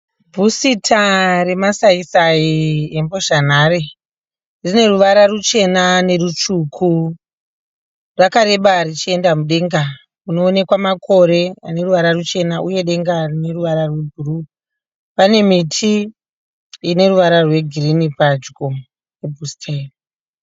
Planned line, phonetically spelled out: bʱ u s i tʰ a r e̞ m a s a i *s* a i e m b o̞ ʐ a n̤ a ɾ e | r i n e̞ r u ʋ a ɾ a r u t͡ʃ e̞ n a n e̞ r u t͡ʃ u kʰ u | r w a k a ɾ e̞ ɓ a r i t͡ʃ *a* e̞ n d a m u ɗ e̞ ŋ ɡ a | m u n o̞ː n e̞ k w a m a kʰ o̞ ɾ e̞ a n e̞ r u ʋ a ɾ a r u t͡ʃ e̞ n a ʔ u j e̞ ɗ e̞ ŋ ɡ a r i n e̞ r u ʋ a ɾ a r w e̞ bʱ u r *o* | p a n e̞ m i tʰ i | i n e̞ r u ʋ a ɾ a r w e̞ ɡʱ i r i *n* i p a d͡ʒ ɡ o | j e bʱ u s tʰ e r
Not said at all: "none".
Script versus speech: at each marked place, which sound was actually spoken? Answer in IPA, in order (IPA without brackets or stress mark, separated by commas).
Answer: s, i, u, n